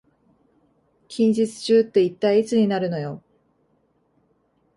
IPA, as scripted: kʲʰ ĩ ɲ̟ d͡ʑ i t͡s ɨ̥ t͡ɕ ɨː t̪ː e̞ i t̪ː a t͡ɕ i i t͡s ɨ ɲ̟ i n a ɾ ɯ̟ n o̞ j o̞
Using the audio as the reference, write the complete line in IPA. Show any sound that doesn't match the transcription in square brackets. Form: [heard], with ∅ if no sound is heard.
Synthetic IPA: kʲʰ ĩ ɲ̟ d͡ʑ i t͡s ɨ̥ t͡ɕ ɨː t̪ː e̞ i t̪ː a [∅] i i t͡s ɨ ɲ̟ i n a ɾ ɯ̟ n o̞ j o̞